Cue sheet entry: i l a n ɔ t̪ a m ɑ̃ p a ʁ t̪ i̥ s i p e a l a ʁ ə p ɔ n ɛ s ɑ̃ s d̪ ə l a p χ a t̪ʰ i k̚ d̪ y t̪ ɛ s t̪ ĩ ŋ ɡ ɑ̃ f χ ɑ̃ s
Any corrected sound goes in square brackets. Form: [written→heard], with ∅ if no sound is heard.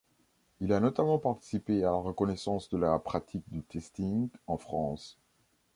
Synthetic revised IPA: i l a n ɔ t̪ a m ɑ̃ p a ʁ t̪ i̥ s i p e a l a ʁ ə [p→k] ɔ n ɛ s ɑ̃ s d̪ ə l a p χ a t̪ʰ i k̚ d̪ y t̪ ɛ s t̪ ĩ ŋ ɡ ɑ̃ f χ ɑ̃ s